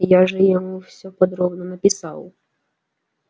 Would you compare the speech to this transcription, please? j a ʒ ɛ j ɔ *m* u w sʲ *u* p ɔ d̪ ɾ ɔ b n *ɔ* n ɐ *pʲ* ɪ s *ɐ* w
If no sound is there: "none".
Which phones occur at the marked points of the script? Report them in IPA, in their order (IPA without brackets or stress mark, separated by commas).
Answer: m, ɔ, ɔ, pʲ, ɑ